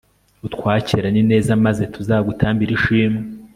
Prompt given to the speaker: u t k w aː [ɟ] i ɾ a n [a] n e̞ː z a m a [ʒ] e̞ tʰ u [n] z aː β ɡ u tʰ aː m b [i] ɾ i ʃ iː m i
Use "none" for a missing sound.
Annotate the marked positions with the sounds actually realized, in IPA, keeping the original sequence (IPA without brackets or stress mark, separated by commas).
c, i, z, none, i